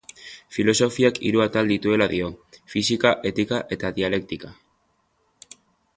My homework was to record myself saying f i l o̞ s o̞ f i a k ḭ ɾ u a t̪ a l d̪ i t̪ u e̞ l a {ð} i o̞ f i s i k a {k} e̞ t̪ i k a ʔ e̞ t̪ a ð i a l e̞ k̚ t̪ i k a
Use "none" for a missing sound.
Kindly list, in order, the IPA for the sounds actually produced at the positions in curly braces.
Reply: ð, ʔ

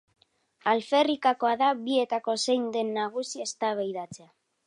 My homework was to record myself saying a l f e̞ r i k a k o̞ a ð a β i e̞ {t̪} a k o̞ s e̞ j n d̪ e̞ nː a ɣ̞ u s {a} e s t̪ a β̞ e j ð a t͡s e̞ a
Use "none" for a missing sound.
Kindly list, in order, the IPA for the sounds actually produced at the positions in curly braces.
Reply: t̪, i

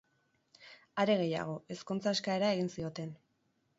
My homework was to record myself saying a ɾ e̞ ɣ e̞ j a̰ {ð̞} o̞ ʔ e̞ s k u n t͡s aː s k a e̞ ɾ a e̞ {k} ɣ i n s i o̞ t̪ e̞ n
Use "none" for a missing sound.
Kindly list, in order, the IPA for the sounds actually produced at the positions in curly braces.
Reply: ɣ̞, none

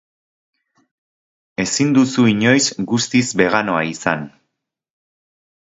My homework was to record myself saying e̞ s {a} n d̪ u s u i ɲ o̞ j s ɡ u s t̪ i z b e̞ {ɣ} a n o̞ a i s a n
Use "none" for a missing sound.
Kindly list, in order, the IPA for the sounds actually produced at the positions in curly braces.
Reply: i, ɣ

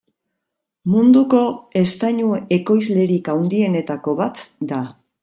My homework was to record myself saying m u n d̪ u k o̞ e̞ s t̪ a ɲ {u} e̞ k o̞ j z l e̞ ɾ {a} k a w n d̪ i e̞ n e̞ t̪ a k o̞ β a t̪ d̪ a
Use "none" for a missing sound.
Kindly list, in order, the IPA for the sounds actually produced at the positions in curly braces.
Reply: u, i

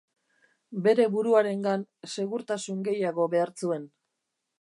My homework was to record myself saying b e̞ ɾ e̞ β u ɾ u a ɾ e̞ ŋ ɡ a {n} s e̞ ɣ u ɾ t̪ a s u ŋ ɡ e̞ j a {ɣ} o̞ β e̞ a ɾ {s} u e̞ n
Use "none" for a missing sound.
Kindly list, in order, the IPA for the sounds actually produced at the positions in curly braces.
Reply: n, ɣ, t͡s

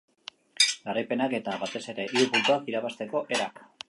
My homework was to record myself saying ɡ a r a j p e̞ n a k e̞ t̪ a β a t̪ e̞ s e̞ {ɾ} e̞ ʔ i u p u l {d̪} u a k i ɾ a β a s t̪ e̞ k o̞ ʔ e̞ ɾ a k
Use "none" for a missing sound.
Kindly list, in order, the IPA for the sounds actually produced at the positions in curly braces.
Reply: ɾ, t̪

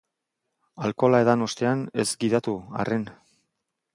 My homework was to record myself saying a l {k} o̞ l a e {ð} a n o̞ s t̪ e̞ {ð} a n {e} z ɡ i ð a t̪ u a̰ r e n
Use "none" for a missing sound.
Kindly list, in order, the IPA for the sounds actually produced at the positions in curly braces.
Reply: k, ð, none, e

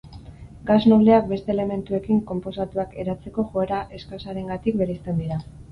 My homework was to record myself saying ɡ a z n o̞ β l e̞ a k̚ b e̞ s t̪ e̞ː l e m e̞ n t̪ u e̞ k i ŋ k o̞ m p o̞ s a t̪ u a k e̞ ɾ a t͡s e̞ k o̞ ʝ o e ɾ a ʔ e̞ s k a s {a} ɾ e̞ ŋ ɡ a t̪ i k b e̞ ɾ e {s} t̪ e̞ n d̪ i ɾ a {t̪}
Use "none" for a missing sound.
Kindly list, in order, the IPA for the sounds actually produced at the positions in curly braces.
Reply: a, s, none

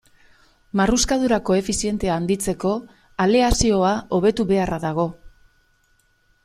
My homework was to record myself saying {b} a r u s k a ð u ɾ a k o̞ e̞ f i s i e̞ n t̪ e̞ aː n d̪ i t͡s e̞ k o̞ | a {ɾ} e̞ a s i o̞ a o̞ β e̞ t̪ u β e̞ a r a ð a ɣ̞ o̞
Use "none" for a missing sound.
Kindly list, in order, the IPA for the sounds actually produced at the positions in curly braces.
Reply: m, l

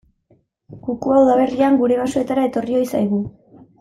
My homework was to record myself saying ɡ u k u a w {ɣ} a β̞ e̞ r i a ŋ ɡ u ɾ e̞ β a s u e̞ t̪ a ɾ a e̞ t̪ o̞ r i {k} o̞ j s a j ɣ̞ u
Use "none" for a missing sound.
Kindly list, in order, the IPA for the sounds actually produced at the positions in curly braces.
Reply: ð, none

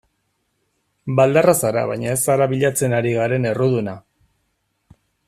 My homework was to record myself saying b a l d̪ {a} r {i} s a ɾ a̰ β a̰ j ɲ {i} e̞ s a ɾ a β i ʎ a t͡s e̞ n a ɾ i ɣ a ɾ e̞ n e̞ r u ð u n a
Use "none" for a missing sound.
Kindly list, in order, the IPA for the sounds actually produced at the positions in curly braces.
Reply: a, a, a

